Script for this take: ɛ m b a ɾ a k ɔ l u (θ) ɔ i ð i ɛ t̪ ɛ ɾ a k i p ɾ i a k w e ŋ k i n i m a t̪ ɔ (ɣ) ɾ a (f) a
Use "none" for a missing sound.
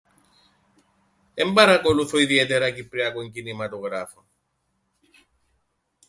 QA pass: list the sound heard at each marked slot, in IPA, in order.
θ, ɣ, f

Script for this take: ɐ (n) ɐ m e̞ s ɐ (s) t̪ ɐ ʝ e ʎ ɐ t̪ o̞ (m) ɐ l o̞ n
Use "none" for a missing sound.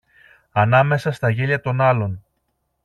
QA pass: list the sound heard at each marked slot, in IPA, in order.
n, s, n

